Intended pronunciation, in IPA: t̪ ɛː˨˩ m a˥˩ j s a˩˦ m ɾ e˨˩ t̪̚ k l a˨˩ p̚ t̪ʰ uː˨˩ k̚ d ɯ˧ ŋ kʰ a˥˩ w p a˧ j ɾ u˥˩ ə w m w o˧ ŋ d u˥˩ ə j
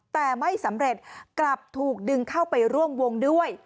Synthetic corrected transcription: t̪ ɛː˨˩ m a˥˩ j s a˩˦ m ɾ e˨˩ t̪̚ k l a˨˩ p̚ t̪ʰ uː˨˩ k̚ d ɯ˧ ŋ kʰ a˥˩ w p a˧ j ɾ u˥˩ ə m w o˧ ŋ d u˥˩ ə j